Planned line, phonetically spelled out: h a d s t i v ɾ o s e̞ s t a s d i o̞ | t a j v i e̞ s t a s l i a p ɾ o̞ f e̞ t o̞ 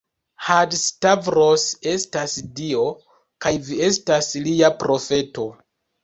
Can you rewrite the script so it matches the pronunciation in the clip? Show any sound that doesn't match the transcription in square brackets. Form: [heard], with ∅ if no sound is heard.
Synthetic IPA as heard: h a d s t [a] v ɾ o s e̞ s t a s d i o̞ | [k] a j v i e̞ s t a s l i a p ɾ o̞ f e̞ t o̞